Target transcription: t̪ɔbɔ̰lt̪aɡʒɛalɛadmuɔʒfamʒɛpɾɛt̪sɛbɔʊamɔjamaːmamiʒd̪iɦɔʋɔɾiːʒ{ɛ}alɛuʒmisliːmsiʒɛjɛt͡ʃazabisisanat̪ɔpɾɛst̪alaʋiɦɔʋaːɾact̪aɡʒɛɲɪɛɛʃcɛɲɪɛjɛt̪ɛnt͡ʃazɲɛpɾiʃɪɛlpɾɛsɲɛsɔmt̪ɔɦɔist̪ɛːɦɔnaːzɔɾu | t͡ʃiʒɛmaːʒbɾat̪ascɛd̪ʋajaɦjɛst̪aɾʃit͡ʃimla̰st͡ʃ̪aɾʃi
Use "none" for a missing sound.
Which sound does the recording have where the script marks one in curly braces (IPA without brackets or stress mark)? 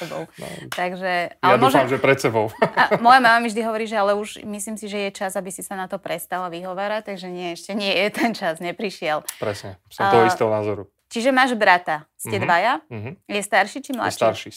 ɛ